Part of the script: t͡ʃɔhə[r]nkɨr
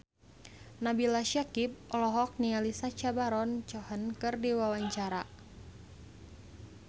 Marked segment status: incorrect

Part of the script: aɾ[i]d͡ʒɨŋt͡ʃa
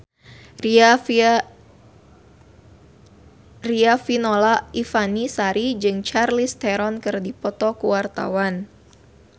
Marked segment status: correct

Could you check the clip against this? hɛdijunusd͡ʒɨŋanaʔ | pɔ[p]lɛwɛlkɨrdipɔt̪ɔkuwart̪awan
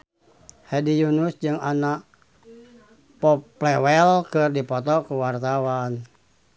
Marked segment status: correct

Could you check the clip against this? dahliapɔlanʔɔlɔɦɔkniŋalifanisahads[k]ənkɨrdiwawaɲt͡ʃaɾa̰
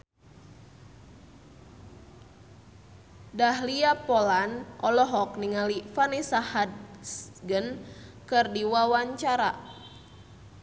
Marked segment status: incorrect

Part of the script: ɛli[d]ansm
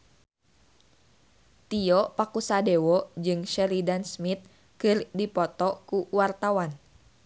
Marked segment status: correct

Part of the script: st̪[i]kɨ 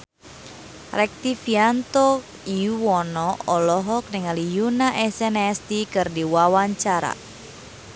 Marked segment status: correct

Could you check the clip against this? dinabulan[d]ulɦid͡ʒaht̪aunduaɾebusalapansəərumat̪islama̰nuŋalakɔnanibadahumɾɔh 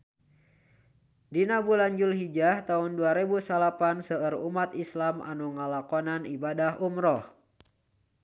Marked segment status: incorrect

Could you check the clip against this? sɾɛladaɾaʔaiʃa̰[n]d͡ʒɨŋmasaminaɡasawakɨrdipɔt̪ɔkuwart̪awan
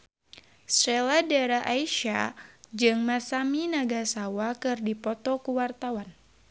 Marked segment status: incorrect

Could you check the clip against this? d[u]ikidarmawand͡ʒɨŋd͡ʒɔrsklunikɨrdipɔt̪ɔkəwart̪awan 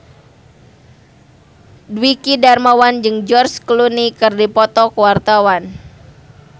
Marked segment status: incorrect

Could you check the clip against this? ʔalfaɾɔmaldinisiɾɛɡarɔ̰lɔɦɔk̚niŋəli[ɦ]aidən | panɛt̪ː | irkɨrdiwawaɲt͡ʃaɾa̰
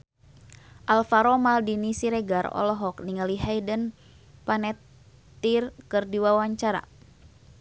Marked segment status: correct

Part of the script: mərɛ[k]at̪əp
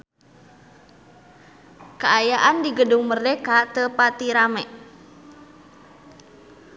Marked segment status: correct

